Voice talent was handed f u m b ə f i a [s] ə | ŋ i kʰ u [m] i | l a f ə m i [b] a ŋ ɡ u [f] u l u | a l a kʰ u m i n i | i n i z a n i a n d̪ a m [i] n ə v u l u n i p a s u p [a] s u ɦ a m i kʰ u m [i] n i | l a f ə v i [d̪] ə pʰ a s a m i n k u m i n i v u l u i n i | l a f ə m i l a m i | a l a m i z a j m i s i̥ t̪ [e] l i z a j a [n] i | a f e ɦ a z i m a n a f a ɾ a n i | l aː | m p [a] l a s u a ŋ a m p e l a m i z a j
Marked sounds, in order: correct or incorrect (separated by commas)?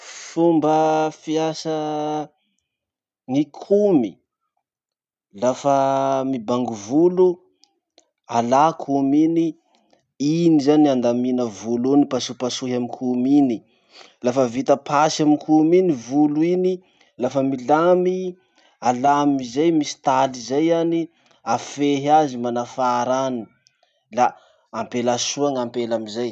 correct, correct, correct, incorrect, correct, correct, correct, incorrect, incorrect, correct, incorrect